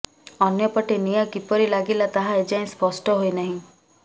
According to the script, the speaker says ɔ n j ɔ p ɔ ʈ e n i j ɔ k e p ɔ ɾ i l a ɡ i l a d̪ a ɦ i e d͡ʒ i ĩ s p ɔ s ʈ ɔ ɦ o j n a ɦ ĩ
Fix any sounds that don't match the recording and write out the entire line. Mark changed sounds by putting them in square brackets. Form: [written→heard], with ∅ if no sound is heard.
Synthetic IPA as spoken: ɔ n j ɔ p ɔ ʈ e n i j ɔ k [e→i] p ɔ ɾ i l a ɡ i l a [d̪→t̪] a ɦ [i→a] e d͡ʒ [i→a] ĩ s p ɔ s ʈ ɔ ɦ o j n a ɦ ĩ